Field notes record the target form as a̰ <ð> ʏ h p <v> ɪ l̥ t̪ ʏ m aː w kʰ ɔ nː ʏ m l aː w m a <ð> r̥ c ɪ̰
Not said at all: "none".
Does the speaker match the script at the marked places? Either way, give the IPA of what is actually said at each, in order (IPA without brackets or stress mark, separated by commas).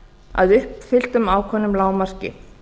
ð, f, none